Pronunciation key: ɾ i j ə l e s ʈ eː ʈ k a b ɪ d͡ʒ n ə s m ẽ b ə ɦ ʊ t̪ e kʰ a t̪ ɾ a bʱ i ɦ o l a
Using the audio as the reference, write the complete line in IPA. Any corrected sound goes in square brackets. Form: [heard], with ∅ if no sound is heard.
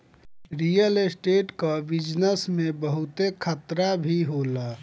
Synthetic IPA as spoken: ɾ i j ə l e s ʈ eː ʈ k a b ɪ d͡ʒ n ə s m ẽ b ə ɦ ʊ t̪ e kʰ [ə] t̪ ɾ a bʱ i ɦ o l a